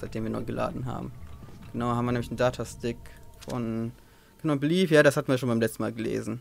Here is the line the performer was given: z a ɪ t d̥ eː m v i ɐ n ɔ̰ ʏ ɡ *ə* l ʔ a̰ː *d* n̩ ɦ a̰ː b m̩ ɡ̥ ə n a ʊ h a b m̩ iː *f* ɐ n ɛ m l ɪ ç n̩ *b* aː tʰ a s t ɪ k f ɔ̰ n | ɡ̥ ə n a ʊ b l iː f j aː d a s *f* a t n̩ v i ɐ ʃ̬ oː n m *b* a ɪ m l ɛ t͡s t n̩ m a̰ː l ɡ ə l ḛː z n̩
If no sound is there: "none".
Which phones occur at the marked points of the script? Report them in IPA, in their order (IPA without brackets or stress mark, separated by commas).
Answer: ə, d, none, d, h, b